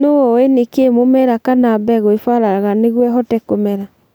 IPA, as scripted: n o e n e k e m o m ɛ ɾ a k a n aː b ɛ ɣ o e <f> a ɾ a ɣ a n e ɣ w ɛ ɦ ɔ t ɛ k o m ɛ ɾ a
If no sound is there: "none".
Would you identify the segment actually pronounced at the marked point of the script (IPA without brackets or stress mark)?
f